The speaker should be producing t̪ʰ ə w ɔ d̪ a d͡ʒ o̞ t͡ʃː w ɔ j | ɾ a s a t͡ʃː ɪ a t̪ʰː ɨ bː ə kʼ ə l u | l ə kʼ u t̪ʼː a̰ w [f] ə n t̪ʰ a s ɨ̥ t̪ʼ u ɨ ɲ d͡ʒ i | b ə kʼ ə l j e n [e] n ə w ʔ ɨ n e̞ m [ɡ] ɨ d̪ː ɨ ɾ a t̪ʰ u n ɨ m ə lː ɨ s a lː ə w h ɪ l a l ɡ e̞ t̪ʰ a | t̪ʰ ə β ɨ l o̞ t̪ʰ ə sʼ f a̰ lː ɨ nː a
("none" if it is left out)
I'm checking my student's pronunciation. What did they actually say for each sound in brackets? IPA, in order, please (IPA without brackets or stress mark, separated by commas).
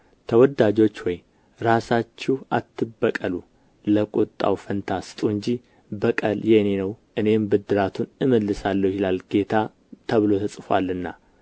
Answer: f, e, b